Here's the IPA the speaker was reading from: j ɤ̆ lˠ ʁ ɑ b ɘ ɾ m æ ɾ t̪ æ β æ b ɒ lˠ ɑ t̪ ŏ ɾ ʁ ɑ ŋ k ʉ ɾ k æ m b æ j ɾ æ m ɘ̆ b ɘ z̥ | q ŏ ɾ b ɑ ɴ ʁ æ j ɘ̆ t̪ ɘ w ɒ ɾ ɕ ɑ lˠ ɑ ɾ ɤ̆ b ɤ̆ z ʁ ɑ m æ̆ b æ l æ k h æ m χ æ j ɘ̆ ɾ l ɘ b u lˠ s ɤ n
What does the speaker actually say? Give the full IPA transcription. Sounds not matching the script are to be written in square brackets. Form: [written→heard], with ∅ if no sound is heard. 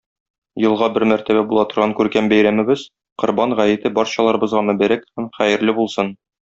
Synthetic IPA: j ɤ̆ lˠ ʁ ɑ b ɘ ɾ m æ ɾ t̪ æ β æ b [ɒ→u] lˠ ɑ t̪ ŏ ɾ ʁ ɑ ŋ k ʉ ɾ k æ m b æ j ɾ æ m ɘ̆ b ɘ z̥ | q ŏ ɾ b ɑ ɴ ʁ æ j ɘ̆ t̪ ɘ [w→b] ɒ ɾ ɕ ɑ lˠ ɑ ɾ ɤ̆ b ɤ̆ z ʁ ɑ m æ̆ b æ [l→ɾ] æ k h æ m χ æ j ɘ̆ ɾ l ɘ b u lˠ s ɤ n